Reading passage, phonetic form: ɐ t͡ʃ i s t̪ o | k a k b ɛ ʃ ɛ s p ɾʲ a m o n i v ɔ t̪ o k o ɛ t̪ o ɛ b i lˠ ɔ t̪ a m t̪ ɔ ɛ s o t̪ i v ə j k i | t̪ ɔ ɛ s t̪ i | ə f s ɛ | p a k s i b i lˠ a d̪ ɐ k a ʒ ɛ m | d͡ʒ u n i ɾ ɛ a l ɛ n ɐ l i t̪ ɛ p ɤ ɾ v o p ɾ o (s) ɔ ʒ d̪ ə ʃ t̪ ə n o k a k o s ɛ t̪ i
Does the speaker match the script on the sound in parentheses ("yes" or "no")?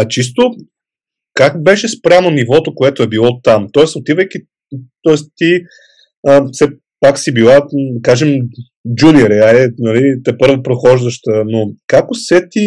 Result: no